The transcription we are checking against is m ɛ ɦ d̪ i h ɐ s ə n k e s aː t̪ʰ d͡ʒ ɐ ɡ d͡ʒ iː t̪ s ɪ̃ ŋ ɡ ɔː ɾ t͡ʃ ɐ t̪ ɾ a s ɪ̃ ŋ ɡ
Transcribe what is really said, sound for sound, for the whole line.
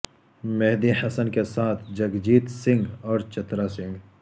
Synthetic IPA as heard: m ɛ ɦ d̪ i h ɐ s ə n k e s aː t̪ʰ d͡ʒ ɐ ɡ d͡ʒ iː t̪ s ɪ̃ ŋ ɡ ɔː ɾ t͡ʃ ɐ t̪ ɾ a s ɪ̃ ŋ ɡ